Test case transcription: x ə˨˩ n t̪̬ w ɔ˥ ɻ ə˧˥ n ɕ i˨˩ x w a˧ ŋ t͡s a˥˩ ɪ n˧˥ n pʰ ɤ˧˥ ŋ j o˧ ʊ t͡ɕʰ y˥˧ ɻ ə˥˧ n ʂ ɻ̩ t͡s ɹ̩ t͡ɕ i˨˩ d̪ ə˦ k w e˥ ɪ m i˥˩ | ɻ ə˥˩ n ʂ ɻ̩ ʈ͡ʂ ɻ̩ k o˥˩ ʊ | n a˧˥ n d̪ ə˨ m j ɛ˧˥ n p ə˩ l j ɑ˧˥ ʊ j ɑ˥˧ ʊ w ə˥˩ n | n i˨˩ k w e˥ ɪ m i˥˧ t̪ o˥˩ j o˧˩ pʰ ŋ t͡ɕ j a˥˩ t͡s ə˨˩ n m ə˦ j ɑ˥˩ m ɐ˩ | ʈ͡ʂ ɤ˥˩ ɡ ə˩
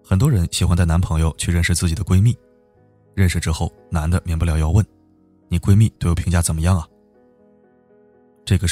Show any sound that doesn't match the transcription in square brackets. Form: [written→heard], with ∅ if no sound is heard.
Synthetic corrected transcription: x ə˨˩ n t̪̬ w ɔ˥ ɻ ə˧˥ n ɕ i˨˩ x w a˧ [ŋ→n] t͡s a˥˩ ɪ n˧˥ n pʰ ɤ˧˥ ŋ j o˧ ʊ t͡ɕʰ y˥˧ ɻ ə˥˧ n ʂ ɻ̩ t͡s ɹ̩ t͡ɕ i˨˩ d̪ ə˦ k w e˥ ɪ m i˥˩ | ɻ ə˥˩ n ʂ ɻ̩ ʈ͡ʂ ɻ̩ [k→x] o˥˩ ʊ | n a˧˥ n d̪ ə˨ m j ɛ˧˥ n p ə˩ l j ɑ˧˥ ʊ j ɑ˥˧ ʊ w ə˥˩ n | n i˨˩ k w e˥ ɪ m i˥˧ t̪ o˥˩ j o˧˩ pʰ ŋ t͡ɕ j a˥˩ t͡s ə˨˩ n m ə˦ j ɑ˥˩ [m→ŋ] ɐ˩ | ʈ͡ʂ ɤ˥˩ ɡ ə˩